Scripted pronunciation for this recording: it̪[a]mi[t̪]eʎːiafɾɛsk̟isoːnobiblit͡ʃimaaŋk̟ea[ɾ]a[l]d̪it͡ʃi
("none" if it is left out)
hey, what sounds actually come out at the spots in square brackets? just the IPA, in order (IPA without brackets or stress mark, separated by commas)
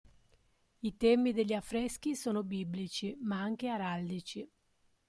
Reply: ɛ, d̪, ɾ, l